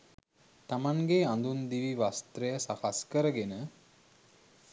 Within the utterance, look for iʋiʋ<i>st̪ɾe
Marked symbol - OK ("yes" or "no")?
no